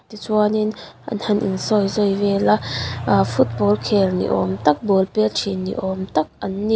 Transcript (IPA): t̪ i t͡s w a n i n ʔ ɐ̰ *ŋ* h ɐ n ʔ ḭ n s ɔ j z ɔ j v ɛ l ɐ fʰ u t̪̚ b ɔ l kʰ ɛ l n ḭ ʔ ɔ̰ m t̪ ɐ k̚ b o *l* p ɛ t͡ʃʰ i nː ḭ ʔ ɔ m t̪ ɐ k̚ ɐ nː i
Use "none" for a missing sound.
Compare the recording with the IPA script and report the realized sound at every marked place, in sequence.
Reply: n, l

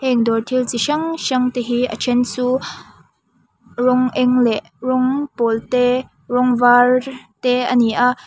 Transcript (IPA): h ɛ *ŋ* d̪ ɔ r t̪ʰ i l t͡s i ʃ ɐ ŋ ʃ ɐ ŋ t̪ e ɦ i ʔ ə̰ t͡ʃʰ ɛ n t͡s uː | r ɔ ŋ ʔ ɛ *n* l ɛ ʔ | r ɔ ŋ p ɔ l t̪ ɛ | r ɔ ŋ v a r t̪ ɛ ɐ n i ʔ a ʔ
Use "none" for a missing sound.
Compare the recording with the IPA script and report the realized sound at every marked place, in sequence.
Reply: ŋ, ŋ

